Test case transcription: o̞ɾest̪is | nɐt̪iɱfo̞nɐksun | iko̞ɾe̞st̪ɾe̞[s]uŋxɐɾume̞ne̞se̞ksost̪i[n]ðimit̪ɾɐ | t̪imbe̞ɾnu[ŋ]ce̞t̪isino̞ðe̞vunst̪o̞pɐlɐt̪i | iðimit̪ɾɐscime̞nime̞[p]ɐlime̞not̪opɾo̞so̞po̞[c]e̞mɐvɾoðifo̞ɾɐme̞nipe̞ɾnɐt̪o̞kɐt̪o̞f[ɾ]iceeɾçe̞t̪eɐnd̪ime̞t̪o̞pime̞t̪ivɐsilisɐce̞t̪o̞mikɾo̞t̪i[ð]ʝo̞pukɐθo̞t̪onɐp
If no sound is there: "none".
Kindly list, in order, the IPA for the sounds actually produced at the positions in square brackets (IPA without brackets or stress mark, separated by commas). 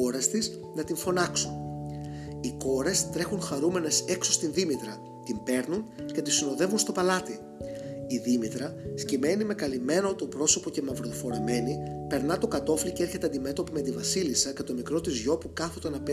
x, n, n, k, c, l, z